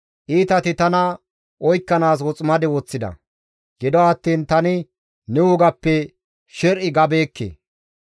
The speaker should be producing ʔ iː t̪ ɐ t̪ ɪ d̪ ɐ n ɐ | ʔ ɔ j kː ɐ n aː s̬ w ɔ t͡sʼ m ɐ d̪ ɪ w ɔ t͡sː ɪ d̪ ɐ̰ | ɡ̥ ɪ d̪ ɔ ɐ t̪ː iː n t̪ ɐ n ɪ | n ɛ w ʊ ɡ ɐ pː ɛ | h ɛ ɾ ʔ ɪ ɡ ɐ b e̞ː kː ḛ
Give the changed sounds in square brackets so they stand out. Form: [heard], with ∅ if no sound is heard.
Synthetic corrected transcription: ʔ iː t̪ ɐ t̪ ɪ [t̪] ɐ n ɐ | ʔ ɔ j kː ɐ n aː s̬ w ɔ t͡sʼ m ɐ d̪ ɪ w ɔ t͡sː ɪ d̪ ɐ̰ | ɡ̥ ɪ d̪ ɔ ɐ t̪ː iː n t̪ ɐ n ɪ | n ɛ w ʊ ɡ ɐ pː ɛ | [ʃ] ɛ ɾ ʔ ɪ ɡ ɐ b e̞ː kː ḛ